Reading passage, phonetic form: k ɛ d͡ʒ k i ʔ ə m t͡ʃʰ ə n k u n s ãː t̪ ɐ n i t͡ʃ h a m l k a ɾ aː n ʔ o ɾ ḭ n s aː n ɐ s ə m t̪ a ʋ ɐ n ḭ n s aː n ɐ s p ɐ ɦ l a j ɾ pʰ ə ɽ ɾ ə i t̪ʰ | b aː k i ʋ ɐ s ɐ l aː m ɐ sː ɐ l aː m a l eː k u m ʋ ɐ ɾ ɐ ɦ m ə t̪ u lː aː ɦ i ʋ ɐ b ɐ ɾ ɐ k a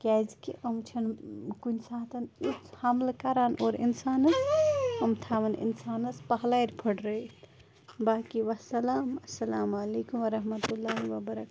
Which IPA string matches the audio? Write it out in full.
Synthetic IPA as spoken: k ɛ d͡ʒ k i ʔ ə m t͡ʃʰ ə n k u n s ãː t̪ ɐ n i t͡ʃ h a m l k a ɾ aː n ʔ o ɾ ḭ n s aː n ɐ s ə m t̪ʰ a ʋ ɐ n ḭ n s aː n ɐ s p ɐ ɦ l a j ɾ pʰ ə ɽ ɾ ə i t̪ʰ | b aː k i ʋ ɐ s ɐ l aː m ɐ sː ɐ l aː m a l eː k u m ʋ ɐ ɾ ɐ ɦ m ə t̪ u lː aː ɦ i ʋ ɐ b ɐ ɾ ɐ k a